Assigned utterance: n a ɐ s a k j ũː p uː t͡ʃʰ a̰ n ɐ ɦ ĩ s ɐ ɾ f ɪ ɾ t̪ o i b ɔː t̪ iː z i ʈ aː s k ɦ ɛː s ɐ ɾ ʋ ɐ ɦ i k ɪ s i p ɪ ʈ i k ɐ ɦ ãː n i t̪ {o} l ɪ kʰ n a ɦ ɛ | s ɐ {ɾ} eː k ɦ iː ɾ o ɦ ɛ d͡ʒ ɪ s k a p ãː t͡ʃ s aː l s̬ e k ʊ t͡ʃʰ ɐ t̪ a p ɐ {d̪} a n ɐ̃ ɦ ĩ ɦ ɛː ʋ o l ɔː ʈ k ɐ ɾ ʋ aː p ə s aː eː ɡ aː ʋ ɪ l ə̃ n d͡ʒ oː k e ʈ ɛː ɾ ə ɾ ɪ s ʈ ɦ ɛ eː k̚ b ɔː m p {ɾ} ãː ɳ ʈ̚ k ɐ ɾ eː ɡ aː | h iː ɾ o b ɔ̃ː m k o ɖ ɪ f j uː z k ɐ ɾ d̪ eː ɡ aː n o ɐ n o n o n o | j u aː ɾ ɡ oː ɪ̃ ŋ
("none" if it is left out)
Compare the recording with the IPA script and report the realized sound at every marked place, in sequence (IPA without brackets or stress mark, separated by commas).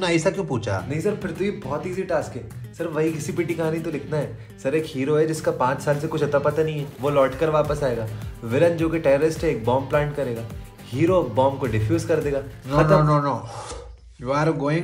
o, ɾ, t̪, l